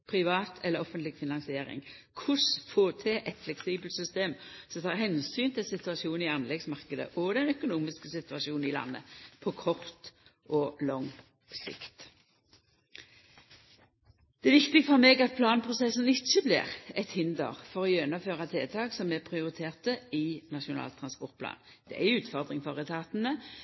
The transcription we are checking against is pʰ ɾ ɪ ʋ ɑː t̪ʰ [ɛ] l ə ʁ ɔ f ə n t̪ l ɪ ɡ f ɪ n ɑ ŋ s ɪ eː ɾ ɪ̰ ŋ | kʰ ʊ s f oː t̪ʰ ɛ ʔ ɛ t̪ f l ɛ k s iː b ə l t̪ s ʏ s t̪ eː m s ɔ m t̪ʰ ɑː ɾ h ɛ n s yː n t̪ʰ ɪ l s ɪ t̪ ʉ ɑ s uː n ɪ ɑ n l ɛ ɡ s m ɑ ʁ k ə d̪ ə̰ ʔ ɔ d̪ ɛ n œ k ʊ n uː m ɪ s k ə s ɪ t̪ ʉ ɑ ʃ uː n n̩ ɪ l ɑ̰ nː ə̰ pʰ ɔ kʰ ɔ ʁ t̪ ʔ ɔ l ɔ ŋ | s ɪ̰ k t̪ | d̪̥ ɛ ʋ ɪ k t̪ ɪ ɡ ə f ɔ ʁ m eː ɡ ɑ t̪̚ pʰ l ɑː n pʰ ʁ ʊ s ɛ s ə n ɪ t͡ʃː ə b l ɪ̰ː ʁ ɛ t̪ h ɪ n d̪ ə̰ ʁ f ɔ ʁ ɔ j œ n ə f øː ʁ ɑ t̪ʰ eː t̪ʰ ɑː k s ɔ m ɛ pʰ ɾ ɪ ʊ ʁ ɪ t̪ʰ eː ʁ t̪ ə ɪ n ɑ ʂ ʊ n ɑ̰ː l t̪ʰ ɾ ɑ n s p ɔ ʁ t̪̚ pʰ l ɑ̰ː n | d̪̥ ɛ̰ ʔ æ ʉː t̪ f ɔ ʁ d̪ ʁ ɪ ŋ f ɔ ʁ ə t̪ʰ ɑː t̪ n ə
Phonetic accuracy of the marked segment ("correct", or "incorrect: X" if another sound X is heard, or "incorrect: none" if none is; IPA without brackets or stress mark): correct